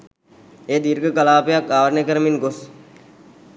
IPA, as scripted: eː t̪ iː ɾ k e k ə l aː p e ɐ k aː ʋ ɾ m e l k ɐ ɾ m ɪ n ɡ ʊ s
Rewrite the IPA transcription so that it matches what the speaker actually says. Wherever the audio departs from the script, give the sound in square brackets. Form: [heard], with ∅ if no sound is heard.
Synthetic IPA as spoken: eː [d̪] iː ɾ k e k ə l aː p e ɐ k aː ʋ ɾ [n] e [∅] k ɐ ɾ m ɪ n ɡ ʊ s